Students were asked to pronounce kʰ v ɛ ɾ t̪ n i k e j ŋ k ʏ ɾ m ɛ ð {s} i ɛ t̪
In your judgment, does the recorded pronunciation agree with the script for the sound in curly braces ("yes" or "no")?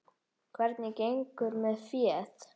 no